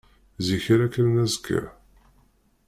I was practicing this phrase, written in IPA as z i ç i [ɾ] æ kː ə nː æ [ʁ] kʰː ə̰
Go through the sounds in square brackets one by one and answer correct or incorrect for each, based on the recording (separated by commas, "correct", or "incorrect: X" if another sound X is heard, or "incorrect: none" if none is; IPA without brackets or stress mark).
correct, incorrect: z